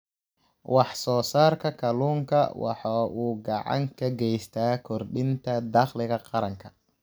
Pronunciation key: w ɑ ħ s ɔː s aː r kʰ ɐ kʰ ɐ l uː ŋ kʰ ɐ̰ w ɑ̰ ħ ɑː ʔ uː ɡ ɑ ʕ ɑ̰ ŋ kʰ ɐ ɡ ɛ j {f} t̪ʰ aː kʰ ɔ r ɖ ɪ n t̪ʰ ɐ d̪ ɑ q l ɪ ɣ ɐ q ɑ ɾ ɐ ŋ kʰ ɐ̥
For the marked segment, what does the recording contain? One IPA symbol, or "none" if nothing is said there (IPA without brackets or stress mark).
s